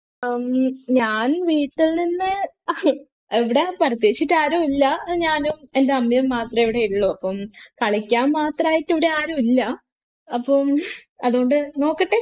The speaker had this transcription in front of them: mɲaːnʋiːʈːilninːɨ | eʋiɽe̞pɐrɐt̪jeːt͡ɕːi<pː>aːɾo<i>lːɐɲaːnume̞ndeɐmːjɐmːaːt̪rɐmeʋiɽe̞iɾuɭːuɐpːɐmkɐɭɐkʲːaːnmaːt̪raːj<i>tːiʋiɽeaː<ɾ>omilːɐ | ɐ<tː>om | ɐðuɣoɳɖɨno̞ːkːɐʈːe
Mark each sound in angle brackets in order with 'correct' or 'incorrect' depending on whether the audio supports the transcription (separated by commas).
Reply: incorrect, correct, correct, correct, incorrect